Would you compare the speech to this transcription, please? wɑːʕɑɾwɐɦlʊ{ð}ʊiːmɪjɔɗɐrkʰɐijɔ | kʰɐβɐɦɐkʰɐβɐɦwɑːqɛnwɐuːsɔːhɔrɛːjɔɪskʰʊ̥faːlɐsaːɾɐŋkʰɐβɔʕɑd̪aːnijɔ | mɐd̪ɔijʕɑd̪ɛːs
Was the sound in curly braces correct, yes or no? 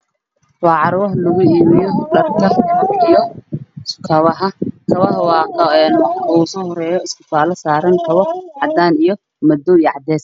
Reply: no